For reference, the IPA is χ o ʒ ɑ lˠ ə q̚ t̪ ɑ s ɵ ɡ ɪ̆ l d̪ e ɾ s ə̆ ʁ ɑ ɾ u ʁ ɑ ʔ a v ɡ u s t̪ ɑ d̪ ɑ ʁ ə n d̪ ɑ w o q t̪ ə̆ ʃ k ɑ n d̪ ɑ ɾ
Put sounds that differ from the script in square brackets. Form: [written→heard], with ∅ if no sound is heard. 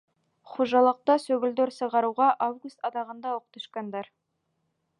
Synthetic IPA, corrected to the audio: χ o ʒ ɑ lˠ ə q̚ t̪ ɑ s ɵ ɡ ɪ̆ l d̪ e ɾ s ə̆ ʁ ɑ ɾ u ʁ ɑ ʔ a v ɡ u s t̪ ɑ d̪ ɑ ʁ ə n d̪ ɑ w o q t̪ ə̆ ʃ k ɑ n d̪ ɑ ɾ